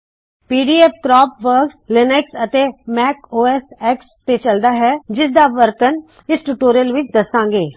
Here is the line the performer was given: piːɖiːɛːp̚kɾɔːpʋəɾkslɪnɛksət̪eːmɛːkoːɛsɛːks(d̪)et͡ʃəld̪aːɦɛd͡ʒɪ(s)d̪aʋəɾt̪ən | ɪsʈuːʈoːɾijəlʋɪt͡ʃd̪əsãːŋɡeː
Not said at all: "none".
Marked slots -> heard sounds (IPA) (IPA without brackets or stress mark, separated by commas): t̪, s